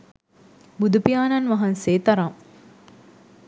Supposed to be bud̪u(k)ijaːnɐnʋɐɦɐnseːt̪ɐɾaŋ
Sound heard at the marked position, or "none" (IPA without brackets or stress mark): p